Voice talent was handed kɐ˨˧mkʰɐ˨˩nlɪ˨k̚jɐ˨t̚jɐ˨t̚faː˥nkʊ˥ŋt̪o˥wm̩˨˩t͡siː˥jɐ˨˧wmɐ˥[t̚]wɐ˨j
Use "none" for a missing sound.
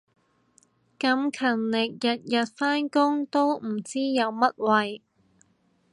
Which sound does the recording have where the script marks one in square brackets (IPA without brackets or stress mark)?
t̚